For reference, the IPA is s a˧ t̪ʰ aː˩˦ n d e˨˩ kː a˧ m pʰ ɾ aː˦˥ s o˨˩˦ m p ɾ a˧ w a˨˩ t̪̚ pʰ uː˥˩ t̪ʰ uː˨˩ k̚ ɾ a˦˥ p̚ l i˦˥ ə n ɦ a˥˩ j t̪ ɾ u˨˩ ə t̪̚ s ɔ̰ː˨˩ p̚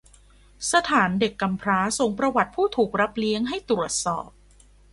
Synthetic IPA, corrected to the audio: s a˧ t̪ʰ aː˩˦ n d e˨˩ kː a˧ m pʰ ɾ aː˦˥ s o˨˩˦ ŋ p ɾ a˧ w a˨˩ t̪̚ pʰ uː˥˩ t̪ʰ uː˨˩ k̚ ɾ a˦˥ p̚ l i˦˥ ə ŋ ɦ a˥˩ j t̪ ɾ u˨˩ ə t̪̚ s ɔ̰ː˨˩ p̚